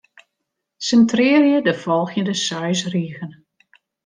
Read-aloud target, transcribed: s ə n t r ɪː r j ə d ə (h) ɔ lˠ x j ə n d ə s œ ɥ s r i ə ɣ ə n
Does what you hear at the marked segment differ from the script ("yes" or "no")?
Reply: yes